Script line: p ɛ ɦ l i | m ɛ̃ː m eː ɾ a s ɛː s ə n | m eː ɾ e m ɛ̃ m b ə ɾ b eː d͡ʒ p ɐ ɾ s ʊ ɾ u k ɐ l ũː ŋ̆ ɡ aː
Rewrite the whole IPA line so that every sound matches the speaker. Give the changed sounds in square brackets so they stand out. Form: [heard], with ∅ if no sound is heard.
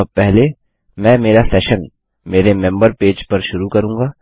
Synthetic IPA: p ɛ ɦ l [e] | m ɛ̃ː m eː ɾ a s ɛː [ʃ] ə n | m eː ɾ e m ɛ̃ m b ə ɾ [p] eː d͡ʒ p ɐ ɾ [ʃ] ʊ ɾ u k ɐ [ɾ] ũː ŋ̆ ɡ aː